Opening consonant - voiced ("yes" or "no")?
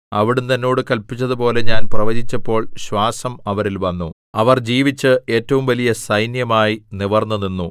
yes